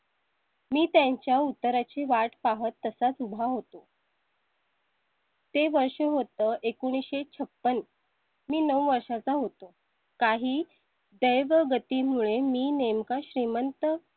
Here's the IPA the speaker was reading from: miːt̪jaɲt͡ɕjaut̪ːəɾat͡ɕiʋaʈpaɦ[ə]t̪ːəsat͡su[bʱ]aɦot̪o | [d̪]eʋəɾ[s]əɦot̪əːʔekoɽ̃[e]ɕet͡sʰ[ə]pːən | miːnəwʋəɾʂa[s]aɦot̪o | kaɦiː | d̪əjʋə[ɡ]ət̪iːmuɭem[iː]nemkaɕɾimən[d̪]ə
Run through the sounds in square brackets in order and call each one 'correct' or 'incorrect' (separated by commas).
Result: correct, correct, incorrect, incorrect, incorrect, correct, incorrect, correct, correct, incorrect